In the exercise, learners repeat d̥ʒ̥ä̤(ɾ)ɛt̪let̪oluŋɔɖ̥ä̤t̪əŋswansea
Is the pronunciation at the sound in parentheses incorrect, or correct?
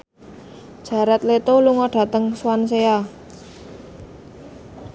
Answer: correct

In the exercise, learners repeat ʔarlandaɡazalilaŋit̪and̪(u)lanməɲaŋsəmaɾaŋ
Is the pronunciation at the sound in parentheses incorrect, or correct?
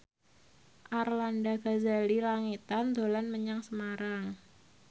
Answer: incorrect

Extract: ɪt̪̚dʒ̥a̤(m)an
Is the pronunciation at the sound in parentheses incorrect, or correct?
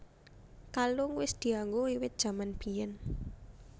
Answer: correct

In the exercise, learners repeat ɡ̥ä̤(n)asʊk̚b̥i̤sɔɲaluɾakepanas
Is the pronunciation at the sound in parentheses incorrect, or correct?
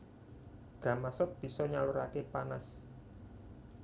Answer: incorrect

